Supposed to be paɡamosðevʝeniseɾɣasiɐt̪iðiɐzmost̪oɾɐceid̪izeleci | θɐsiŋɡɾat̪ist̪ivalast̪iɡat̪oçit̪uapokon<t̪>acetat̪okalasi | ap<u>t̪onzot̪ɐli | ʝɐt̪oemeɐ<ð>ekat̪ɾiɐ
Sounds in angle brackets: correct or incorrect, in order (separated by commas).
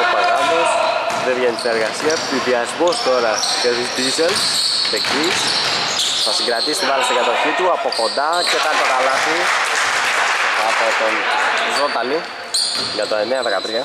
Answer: incorrect, incorrect, correct